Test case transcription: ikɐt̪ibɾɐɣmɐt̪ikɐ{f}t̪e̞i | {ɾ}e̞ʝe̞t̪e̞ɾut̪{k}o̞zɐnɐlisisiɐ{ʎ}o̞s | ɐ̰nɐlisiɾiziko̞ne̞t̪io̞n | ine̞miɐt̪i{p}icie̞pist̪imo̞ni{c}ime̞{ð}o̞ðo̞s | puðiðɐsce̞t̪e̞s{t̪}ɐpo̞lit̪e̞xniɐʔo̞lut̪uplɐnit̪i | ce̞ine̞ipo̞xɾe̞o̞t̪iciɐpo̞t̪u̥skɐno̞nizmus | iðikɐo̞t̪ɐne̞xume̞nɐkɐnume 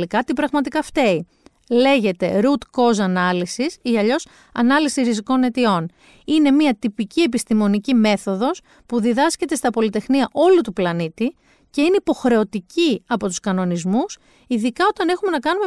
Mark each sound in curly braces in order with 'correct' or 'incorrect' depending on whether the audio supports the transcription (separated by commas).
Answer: correct, incorrect, correct, correct, correct, correct, incorrect, correct